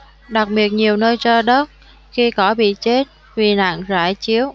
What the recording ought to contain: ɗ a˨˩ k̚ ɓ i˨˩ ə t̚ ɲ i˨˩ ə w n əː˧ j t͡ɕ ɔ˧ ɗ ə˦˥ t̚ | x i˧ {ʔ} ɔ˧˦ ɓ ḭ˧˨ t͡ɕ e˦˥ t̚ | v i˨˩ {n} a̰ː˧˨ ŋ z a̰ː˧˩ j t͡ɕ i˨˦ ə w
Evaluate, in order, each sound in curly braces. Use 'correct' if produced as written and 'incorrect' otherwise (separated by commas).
incorrect, correct